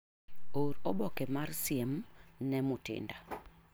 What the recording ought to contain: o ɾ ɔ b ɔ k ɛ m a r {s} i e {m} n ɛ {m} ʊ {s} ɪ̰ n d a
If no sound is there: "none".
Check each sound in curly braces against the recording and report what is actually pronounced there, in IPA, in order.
s, m, m, t

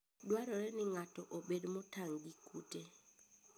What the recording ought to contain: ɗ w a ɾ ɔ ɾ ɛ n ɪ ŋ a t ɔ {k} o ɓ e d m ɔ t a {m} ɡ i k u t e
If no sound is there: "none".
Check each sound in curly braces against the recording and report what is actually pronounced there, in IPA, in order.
ʔ, ŋ

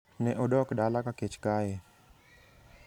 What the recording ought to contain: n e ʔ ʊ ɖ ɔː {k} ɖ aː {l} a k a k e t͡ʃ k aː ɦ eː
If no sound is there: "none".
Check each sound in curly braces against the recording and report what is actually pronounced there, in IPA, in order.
k, l

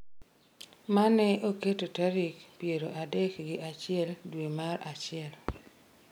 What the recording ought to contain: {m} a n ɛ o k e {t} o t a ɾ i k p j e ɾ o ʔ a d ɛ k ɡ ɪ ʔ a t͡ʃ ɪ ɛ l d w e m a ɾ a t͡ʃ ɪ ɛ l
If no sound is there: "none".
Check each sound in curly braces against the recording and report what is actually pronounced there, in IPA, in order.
m, t

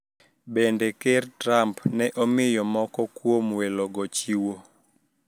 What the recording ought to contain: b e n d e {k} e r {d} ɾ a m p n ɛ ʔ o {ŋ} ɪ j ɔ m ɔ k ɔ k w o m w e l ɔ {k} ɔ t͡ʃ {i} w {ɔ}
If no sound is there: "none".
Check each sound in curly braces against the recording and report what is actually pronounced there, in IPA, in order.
k, t, m, ɡ, i, o

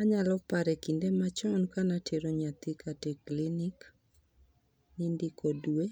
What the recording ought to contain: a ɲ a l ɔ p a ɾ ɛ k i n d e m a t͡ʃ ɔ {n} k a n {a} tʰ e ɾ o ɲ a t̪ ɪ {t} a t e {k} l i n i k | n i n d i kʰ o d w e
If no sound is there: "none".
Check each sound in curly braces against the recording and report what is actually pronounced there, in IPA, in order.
n, a, k, k

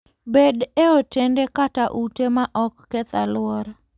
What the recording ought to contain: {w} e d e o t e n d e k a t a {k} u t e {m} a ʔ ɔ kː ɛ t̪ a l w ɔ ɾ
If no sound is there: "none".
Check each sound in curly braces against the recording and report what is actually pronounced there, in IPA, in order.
b, ʔ, m

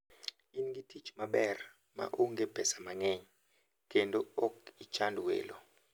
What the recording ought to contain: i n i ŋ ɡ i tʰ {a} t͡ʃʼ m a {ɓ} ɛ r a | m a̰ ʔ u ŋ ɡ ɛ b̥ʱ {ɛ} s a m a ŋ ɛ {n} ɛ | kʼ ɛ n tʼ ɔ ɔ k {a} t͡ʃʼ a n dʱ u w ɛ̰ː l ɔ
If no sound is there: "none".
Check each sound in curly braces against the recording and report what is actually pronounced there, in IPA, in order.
i, ɓ, ɛ, ɲ, i

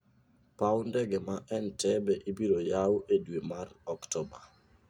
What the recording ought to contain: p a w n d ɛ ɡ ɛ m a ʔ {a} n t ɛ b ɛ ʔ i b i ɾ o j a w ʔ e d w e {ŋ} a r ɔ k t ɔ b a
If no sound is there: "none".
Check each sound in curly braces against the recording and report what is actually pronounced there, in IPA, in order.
ɛ, m

